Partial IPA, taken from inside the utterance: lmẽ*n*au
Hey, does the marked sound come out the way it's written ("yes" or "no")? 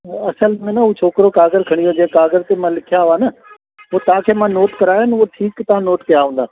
yes